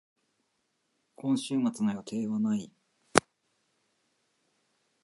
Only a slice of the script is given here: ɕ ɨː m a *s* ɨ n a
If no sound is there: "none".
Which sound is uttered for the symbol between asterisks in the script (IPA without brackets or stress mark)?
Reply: t͡s